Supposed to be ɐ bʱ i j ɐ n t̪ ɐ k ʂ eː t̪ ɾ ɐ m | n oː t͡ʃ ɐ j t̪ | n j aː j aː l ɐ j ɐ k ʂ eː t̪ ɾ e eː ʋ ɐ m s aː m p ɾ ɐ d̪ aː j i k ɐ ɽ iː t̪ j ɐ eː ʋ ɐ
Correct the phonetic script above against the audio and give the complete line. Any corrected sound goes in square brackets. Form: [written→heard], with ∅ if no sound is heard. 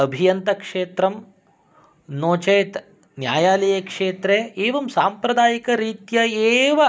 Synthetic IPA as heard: ɐ bʱ i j ɐ n t̪ ɐ k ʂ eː t̪ ɾ ɐ m | n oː t͡ʃ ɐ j t̪ | n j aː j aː l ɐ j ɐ k ʂ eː t̪ ɾ e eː ʋ ɐ m s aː m p ɾ ɐ d̪ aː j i k ɐ [ɽ→ɾ] iː t̪ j ɐ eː ʋ ɐ